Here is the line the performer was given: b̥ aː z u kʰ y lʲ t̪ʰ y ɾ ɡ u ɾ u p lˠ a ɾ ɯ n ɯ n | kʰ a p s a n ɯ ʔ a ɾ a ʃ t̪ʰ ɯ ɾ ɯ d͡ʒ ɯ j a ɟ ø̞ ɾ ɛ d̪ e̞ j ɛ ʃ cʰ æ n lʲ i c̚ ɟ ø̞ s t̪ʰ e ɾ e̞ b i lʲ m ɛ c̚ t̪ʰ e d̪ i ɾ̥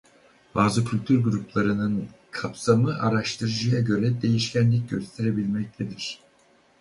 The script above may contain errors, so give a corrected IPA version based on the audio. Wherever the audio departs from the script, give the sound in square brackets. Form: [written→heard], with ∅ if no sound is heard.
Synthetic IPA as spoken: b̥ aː z [u→ɯ] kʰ y lʲ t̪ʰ y ɾ ɡ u ɾ u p lˠ a ɾ ɯ n ɯ n | kʰ a p s a [n→m] ɯ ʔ a ɾ a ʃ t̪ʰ ɯ ɾ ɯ d͡ʒ ɯ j a ɟ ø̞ ɾ ɛ d̪ e̞ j [ɛ→i] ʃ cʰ æ n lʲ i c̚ ɟ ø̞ s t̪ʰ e ɾ e̞ b i lʲ m ɛ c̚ t̪ʰ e d̪ i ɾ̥